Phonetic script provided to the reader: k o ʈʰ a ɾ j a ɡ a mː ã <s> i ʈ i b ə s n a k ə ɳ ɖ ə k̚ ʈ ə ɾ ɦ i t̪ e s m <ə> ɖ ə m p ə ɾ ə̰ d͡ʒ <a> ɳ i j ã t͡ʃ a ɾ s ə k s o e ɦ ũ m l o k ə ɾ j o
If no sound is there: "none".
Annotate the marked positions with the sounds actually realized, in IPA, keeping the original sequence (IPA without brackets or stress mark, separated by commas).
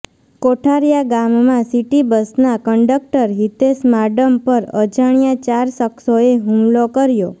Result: s, a, a